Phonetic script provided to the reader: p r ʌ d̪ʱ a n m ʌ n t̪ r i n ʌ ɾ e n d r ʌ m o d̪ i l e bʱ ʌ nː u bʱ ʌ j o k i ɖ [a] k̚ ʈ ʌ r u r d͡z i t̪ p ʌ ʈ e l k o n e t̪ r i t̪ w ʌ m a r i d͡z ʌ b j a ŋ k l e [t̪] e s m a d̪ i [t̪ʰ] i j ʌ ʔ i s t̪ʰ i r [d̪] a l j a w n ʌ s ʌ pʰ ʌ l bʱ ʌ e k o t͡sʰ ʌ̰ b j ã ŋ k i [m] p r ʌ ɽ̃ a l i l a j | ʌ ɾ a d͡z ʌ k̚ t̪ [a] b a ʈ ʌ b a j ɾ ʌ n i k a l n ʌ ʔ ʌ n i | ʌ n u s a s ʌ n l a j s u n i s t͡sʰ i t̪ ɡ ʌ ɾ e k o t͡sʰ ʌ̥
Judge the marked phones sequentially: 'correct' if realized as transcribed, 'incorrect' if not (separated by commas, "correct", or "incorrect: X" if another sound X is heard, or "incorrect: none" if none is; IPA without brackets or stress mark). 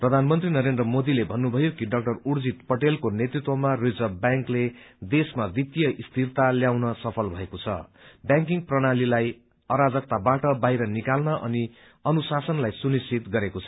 incorrect: ʌ, incorrect: d̪, incorrect: t̪, incorrect: t̪, incorrect: ŋ, correct